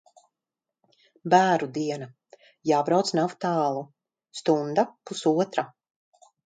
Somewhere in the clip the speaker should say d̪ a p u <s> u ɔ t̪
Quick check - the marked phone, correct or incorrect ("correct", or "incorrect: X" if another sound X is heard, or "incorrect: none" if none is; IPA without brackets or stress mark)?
correct